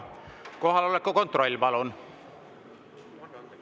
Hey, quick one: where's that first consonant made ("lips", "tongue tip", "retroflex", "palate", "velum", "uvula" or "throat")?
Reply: velum